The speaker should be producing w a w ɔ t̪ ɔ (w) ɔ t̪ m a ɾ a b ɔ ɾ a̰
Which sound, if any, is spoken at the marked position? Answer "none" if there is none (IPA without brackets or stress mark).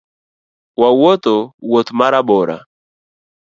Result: w